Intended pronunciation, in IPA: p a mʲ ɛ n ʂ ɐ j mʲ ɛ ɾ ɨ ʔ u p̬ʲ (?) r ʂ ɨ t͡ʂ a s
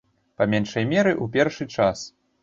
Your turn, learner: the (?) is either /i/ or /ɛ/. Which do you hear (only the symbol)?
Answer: ɛ